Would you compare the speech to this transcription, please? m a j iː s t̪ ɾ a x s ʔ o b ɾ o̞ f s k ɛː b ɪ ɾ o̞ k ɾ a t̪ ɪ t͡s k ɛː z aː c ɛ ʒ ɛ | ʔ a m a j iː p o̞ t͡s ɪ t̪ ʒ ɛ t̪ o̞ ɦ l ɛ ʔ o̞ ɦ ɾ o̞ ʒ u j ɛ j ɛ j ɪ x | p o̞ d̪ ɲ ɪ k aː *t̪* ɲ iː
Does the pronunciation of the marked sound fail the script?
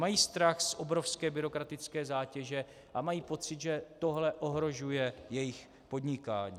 yes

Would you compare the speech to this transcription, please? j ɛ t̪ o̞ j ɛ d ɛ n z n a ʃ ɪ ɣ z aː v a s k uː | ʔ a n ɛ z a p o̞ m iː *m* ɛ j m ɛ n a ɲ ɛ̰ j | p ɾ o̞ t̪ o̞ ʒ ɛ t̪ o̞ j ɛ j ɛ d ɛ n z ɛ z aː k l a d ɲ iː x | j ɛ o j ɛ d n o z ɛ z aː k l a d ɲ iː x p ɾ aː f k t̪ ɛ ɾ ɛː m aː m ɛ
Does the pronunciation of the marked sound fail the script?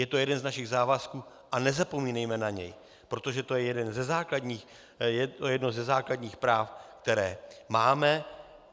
yes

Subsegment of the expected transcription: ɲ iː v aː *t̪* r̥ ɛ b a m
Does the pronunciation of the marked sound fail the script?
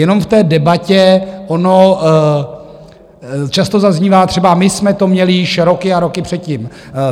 no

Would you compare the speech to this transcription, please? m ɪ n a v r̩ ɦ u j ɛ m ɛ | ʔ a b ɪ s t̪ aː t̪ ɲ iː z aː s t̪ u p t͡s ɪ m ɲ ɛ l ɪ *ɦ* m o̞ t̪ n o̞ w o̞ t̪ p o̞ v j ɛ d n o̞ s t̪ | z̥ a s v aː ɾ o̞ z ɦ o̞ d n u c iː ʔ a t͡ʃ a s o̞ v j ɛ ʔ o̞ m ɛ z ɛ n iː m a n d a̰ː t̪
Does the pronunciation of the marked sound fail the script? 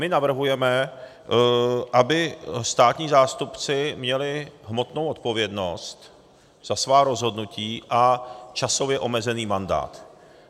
no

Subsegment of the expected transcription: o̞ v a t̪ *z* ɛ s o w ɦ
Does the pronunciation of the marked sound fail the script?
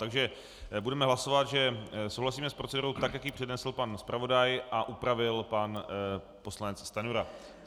yes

